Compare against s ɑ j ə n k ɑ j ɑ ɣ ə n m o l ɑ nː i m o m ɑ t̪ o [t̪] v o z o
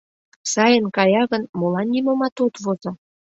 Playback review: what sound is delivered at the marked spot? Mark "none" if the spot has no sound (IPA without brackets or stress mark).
t̪